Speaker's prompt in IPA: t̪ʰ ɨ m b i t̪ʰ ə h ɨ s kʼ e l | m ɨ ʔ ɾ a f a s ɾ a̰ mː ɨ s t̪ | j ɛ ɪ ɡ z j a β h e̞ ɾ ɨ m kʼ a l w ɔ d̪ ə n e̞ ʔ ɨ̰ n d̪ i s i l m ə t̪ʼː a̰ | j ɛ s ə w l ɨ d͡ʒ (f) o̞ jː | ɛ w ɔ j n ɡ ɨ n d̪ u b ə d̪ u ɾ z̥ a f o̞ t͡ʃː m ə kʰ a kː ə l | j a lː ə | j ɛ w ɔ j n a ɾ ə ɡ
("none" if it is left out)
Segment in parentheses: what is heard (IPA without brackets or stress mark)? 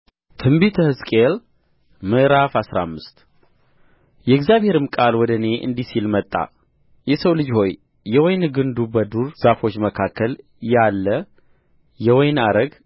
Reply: h